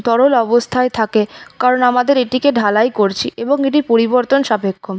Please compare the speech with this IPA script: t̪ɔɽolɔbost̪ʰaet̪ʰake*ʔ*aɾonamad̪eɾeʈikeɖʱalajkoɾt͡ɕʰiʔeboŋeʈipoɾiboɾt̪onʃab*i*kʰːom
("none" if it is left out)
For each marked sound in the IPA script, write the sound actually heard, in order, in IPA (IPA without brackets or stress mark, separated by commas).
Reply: k, e